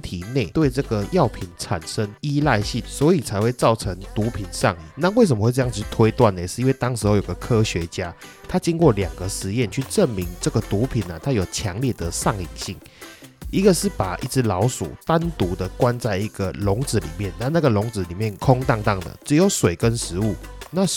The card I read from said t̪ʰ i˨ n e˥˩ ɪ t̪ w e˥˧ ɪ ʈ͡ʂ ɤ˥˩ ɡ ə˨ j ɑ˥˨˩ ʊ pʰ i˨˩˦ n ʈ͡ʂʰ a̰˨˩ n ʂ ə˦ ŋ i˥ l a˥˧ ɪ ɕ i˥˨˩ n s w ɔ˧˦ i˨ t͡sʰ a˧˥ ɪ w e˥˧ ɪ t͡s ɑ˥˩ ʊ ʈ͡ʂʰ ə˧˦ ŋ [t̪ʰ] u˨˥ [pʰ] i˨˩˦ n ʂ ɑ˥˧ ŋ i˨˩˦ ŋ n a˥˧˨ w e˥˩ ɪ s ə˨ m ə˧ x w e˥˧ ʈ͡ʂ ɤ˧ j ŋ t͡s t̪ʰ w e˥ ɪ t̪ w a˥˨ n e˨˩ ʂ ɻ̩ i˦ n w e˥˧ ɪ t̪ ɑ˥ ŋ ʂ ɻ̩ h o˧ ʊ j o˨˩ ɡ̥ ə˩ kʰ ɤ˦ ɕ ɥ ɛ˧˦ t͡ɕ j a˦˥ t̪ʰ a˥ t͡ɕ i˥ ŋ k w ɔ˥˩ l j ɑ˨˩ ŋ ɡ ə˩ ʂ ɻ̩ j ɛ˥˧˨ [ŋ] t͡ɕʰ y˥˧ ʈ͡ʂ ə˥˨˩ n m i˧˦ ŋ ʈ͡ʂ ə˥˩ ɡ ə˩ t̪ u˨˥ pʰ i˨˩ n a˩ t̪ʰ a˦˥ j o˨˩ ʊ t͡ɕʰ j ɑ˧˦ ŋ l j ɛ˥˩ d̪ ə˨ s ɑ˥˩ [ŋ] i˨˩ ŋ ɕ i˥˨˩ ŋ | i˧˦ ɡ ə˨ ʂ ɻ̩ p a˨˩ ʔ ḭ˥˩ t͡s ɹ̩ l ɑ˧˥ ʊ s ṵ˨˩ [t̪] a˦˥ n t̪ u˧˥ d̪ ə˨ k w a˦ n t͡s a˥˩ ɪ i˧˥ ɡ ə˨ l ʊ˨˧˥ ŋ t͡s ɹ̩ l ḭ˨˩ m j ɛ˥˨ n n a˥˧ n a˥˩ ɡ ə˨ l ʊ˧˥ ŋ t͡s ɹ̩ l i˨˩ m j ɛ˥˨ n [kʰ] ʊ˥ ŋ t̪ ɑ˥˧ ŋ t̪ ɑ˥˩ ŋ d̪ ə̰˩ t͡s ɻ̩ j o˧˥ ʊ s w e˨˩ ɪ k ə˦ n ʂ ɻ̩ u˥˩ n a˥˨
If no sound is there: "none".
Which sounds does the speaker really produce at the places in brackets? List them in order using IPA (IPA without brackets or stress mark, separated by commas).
t̪, pʰ, n, ŋ, t̪, kʰ